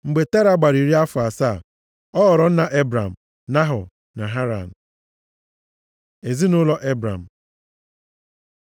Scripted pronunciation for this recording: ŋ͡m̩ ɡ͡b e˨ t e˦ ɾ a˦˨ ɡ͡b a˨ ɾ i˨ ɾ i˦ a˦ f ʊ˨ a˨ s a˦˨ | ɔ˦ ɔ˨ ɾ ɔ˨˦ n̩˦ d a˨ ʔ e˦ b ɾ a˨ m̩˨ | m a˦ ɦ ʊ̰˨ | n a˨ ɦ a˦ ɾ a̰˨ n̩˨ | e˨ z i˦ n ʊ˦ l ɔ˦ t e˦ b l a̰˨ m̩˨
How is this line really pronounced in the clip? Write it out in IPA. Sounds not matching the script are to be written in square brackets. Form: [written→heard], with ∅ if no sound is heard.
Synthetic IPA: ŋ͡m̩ ɡ͡b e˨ t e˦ ɾ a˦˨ ɡ͡b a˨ ɾ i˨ ɾ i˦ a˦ f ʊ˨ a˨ s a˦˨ | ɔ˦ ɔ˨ ɾ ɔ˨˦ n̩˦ [d→n] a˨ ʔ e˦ b ɾ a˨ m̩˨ | [m→n] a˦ ɦ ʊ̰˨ | n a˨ ɦ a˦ ɾ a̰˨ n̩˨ | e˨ z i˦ n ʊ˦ l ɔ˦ [t→ʔ] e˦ b [l→ɾ] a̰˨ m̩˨